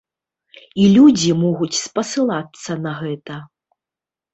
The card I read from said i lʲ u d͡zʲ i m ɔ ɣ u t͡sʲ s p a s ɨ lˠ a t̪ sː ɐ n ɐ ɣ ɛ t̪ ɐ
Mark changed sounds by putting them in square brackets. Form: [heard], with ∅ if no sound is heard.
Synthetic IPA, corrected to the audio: i lʲ u d͡zʲ i m ɔ ɣ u t͡sʲ s p [ɐ] s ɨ lˠ a t̪ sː ɐ n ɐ ɣ ɛ t̪ ɐ